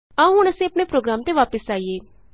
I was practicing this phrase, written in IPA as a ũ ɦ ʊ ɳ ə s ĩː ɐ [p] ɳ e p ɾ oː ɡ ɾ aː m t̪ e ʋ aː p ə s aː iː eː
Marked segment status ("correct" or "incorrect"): correct